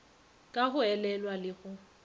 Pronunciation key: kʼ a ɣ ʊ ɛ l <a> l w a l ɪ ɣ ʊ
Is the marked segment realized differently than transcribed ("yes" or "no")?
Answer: yes